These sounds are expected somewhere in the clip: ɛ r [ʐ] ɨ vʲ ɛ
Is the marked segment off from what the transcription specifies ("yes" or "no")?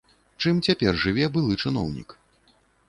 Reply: no